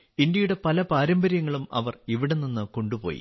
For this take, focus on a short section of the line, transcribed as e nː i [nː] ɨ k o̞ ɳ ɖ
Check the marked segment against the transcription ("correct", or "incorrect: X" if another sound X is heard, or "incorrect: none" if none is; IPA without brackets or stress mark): correct